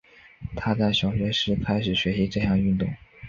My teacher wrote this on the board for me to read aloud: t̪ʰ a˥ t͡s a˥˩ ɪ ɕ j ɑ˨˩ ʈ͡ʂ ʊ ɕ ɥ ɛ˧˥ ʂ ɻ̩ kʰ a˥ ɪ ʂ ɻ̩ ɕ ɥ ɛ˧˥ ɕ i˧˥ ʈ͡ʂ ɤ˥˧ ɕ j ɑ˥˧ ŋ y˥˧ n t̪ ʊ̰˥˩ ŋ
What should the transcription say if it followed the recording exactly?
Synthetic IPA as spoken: t̪ʰ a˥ t͡s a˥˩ ɪ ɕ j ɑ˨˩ ʊ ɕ ɥ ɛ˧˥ ʂ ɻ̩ kʰ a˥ ɪ ʂ ɻ̩ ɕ ɥ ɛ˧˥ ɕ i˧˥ ʈ͡ʂ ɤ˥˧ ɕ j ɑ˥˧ ŋ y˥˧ n t̪ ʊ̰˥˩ ŋ